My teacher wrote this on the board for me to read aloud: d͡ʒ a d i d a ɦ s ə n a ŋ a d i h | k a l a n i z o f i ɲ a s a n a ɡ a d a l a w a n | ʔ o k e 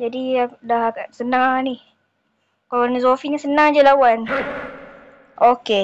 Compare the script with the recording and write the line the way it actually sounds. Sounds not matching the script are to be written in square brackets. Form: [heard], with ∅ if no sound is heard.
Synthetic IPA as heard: d͡ʒ a d i d a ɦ s ə n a ŋ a [n] i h | k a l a n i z o f i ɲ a s [ə] n a [ŋ] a [d͡ʒ] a l a w a n | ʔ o k e

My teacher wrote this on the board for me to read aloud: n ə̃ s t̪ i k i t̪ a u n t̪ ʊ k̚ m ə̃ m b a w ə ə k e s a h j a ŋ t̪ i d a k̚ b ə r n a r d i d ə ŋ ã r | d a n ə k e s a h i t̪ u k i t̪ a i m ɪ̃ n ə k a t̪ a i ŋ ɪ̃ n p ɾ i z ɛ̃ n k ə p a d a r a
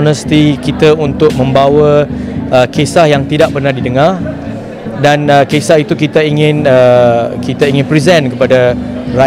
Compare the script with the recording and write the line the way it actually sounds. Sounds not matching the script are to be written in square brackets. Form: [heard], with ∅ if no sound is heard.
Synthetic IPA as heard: n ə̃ s t̪ i k i t̪ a u n t̪ ʊ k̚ m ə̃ m b a w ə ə k e s a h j a ŋ t̪ i d a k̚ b ə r n a r d i d ə ŋ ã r | d a n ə k e s a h i t̪ u k i t̪ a i [ŋ] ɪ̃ n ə k [i] t̪ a i ŋ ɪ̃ n p ɾ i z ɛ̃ n k ə p a d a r a

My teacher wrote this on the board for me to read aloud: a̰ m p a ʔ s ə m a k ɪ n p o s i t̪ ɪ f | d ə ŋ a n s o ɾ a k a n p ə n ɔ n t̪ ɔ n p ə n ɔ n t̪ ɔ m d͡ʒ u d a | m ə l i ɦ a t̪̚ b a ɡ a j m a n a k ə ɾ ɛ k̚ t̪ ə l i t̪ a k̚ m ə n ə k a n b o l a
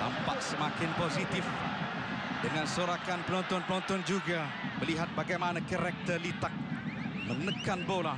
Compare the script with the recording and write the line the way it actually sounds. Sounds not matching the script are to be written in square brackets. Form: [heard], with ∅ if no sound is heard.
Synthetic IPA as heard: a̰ m p a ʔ s ə m a k ɪ n p o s i t̪ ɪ f | d ə ŋ a n s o ɾ a k a n p ə n ɔ n t̪ ɔ n p ə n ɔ n t̪ ɔ [n] d͡ʒ u [ɡ] a | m ə l i ɦ a t̪̚ b a ɡ a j m a n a k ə ɾ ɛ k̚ t̪ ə l i t̪ a k̚ m ə n ə k a n b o l a

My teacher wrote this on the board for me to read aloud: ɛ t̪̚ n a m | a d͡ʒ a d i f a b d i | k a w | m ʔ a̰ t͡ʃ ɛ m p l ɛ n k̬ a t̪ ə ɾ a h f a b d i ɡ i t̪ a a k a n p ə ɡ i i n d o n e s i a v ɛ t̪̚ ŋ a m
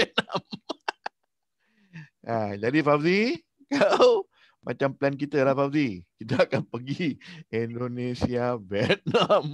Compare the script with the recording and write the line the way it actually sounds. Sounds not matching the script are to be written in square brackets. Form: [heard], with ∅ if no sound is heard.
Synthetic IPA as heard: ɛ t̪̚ n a m | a d͡ʒ a d i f a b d i | k a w | m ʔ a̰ t͡ʃ [a] m p l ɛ n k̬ [i] t̪ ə [l] a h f a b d i [k] i t̪ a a k a n p ə ɡ i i n d o n e s i a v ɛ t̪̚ [n] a m

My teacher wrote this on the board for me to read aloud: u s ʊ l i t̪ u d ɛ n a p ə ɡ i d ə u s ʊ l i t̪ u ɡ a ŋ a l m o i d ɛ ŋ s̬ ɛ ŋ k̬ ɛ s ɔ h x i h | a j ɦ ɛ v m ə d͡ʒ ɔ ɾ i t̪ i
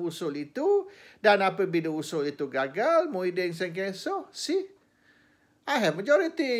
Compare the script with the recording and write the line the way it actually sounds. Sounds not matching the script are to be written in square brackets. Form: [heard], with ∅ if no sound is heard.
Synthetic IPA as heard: u s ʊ l i t̪ u d [a] n a p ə [b] i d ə u s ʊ l i t̪ u ɡ a [ɡ] a l m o i d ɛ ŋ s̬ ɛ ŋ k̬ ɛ s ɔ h [s] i h | a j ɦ ɛ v m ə d͡ʒ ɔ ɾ i t̪ i

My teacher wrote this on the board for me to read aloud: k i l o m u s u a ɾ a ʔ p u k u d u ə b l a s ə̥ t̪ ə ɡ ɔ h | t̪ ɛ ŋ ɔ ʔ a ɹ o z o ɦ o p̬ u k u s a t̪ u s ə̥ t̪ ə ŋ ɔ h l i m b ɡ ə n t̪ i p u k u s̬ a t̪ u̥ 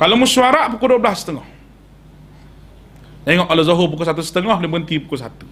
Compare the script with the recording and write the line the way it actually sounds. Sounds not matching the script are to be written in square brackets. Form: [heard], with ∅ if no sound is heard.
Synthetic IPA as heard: k [a] l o m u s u a ɾ a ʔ p u k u d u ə b l a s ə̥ t̪ ə [ŋ] ɔ h | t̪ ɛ ŋ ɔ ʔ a [l] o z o ɦ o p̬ u k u s a t̪ u s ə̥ t̪ ə ŋ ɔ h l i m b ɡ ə n t̪ i p u k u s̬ a t̪ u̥

